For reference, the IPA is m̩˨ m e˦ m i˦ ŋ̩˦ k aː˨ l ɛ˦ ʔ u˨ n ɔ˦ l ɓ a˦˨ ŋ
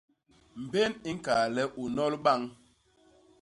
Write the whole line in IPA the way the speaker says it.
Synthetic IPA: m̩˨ b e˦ n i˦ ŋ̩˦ k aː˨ l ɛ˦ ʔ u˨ n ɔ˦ l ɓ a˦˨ ŋ